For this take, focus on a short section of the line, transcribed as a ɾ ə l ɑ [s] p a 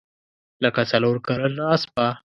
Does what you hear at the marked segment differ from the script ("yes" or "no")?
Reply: no